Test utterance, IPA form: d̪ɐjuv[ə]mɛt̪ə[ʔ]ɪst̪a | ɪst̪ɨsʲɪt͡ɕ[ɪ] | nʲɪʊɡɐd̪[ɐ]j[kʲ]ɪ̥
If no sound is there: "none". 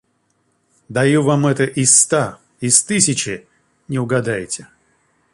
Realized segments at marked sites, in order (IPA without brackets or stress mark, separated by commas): a, ʔ, ɪ, a, tʲ